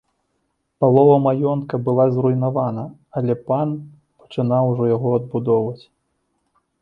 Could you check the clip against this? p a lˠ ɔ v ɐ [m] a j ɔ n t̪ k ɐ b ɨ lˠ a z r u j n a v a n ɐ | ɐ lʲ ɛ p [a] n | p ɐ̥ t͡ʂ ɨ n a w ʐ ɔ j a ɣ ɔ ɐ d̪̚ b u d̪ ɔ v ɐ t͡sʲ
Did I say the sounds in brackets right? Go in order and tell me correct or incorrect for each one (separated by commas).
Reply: correct, correct